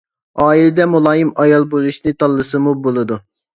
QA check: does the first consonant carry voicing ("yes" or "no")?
yes